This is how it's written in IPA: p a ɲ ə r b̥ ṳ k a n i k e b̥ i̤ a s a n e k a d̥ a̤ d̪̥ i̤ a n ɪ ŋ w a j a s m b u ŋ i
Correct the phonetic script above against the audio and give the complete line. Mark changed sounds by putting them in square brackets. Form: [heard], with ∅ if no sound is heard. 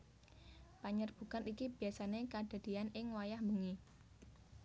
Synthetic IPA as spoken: p a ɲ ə r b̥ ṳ k a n i k [i] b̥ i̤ a s a n e k a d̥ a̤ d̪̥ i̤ a n ɪ ŋ w a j a [h] m b u ŋ i